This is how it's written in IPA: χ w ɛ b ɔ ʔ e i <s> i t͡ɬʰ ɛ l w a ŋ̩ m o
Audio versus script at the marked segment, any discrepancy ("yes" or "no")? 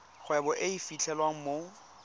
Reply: yes